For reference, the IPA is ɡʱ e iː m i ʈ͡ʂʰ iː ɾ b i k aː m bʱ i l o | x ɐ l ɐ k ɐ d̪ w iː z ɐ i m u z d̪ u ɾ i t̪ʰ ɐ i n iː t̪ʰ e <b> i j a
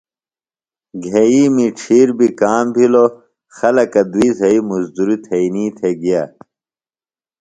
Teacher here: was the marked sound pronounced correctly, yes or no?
no